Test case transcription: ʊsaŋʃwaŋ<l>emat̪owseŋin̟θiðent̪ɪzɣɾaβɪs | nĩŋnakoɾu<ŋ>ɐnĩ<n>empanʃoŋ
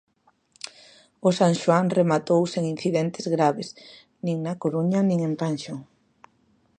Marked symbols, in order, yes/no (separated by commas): no, no, no